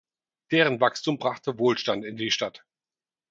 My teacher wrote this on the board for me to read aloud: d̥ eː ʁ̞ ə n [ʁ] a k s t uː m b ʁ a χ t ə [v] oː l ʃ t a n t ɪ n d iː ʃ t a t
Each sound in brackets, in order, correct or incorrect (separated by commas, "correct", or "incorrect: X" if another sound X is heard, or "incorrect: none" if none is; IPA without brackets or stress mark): incorrect: v, correct